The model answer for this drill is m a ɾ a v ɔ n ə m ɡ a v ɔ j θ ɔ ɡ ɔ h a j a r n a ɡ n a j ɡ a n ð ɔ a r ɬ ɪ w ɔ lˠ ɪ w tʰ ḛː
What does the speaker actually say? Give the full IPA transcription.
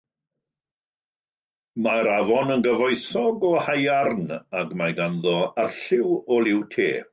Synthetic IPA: m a ɾ a v ɔ n ə n ɡ ə v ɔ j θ ɔ ɡ ɔ h a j a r n a ɡ m a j ɡ a n ð ɔ a r ɬ ɪ w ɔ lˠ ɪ w tʰ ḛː